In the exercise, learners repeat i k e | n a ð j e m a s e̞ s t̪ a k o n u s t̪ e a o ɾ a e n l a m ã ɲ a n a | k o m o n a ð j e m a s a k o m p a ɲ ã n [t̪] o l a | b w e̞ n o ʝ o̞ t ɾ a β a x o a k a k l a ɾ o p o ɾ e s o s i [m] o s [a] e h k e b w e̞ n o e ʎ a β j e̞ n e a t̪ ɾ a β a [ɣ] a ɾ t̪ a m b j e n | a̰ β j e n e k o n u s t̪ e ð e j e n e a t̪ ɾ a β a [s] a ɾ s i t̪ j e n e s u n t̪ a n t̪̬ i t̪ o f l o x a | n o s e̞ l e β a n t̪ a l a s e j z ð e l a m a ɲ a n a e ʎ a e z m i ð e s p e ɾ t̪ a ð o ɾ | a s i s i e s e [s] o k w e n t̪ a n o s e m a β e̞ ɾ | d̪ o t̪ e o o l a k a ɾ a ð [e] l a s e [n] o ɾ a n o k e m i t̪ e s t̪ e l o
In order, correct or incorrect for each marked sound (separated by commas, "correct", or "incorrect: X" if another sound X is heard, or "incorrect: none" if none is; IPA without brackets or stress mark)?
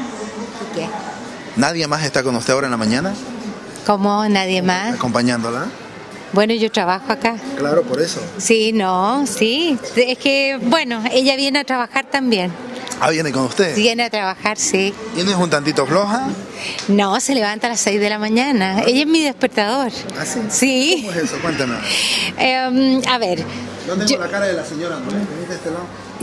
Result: incorrect: d̪, incorrect: n, incorrect: i, incorrect: x, incorrect: x, correct, correct, incorrect: ɲ